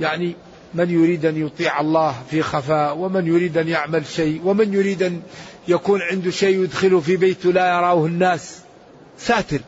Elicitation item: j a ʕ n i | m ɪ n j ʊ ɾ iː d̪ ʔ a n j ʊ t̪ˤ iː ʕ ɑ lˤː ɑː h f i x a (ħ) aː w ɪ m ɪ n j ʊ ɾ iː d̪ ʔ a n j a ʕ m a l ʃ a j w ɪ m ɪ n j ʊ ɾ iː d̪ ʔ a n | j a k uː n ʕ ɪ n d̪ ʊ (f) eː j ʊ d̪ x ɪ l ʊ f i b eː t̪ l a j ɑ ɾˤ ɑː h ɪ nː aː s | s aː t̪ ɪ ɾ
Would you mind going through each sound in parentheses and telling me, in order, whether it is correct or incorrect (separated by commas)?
incorrect, incorrect